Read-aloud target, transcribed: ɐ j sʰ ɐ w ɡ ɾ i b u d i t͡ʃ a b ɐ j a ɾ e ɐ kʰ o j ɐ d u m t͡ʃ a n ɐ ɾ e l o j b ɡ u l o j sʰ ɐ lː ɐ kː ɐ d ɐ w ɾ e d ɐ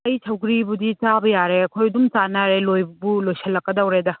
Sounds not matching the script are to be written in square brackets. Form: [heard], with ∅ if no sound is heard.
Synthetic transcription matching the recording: ɐ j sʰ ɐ w ɡ ɾ i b u d i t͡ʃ a b ɐ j a ɾ e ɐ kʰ o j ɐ d u m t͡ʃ a n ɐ ɾ e l o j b [b] u l o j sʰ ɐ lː ɐ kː ɐ d ɐ w ɾ e d ɐ